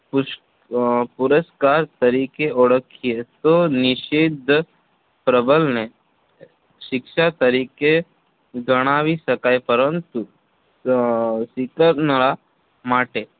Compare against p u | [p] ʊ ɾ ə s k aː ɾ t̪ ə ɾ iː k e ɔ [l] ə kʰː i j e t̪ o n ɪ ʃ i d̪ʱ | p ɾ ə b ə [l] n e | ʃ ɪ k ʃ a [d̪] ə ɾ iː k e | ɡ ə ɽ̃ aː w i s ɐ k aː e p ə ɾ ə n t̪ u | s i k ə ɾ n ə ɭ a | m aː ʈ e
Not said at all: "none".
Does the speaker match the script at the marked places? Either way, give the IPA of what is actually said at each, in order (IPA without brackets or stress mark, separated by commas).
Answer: p, ɽ, l, t̪